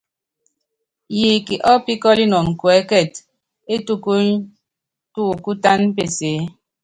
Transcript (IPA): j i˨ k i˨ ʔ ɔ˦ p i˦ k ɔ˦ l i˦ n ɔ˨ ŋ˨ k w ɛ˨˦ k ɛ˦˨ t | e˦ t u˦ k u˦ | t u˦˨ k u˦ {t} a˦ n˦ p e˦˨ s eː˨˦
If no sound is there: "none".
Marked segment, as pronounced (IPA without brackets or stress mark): t